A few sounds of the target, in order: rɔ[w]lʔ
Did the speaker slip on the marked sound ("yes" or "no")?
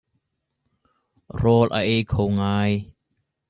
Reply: yes